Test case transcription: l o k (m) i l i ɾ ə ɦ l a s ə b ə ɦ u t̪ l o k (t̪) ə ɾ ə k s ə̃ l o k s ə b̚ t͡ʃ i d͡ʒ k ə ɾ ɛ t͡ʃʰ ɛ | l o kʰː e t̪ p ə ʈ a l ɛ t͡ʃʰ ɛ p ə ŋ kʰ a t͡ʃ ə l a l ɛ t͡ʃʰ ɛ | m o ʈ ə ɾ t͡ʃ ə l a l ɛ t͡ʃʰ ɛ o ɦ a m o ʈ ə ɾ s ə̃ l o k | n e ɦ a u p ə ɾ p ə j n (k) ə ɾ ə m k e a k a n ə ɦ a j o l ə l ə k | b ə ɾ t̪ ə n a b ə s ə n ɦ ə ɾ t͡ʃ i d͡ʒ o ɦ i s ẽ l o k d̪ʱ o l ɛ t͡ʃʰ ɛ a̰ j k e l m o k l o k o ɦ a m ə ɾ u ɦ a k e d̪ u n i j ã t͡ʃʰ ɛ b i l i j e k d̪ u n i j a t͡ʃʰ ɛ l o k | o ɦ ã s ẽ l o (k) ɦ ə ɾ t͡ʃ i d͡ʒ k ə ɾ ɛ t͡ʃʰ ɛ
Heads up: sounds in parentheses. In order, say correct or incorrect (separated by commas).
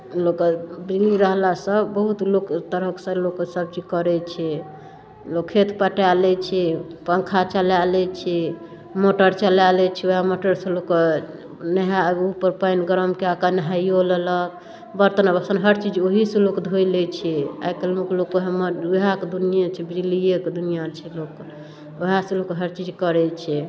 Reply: incorrect, correct, incorrect, correct